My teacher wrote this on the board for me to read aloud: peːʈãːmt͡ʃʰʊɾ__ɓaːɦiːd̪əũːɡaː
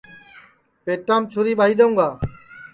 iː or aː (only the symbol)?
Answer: iː